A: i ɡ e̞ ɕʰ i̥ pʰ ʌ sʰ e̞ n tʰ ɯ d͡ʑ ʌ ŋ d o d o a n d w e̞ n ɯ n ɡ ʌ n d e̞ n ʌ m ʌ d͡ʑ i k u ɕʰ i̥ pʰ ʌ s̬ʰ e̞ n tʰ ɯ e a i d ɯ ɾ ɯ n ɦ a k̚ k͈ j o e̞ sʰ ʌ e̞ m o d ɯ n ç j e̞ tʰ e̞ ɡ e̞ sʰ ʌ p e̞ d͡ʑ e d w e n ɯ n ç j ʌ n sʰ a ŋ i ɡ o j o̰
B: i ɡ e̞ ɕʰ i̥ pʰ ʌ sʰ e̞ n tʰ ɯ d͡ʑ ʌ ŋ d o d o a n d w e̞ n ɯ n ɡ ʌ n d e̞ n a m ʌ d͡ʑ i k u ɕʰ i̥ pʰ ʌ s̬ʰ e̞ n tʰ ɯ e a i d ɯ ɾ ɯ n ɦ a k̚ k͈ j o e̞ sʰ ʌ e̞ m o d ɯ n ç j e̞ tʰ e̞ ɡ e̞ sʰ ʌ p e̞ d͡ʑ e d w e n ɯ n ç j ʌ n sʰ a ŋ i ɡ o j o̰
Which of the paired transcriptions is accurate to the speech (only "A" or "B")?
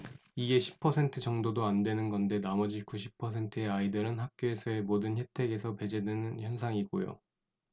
B